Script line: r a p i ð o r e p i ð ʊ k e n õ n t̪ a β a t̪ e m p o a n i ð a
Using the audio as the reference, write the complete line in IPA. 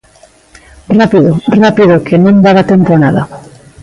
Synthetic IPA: r a p i ð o r a p i ð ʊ k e n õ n d̪ a β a t̪ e m p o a n a ð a